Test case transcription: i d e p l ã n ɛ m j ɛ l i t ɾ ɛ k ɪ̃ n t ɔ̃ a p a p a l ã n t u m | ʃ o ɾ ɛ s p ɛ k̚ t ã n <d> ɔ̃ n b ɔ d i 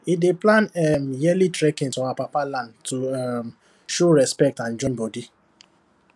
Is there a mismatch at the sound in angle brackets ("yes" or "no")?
yes